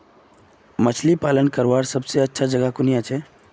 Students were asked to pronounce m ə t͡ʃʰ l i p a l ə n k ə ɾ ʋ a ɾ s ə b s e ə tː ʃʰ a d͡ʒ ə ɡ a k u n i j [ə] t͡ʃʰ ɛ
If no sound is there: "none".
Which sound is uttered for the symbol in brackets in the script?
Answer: a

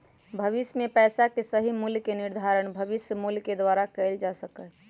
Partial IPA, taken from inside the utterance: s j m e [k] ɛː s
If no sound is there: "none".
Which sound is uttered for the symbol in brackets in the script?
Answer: p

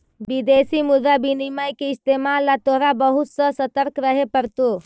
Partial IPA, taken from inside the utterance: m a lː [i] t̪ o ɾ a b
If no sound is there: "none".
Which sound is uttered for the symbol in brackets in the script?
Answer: a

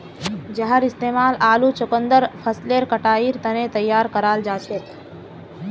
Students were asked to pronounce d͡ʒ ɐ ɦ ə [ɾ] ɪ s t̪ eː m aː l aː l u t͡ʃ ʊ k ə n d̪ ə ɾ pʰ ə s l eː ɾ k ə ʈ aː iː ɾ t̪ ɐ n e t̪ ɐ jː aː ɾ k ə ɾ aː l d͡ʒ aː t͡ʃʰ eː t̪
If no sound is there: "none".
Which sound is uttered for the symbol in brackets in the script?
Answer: ɾ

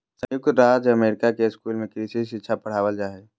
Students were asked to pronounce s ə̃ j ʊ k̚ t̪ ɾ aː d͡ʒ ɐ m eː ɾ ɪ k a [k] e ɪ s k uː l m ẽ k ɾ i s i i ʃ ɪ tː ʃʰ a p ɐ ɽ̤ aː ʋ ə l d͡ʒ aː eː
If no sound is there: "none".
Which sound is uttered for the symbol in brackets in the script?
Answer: k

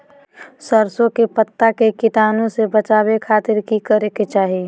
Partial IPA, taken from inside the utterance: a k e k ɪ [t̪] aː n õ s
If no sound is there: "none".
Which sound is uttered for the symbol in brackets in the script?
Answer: t̪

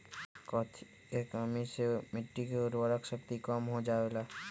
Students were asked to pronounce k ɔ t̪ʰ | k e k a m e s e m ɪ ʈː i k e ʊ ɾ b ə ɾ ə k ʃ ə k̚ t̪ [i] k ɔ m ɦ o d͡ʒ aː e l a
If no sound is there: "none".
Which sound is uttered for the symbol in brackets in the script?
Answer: i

